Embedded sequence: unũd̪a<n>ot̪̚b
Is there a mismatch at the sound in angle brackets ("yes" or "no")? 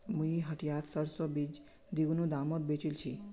yes